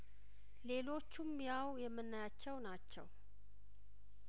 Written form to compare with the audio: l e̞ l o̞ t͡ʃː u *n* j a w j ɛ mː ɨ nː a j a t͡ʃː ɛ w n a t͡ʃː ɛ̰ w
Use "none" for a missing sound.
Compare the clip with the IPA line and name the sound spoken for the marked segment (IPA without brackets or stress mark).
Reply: m